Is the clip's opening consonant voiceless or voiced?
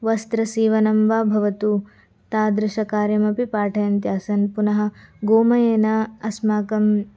voiced